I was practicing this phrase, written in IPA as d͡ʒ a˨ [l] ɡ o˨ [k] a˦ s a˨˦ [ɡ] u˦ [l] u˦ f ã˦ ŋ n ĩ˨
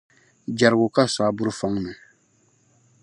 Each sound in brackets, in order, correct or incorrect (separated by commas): incorrect, correct, incorrect, incorrect